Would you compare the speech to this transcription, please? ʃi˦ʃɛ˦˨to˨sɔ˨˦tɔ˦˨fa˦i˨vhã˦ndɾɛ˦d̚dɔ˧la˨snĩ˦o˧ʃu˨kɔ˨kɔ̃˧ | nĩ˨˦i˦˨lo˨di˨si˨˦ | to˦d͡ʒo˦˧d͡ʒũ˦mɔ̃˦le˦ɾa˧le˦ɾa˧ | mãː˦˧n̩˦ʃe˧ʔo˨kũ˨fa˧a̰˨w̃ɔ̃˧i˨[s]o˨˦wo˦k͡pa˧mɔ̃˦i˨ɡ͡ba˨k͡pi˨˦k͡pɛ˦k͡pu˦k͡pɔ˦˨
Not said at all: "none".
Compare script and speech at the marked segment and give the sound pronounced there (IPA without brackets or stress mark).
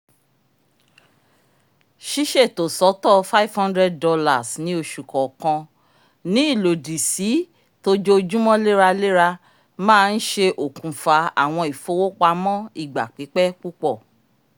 f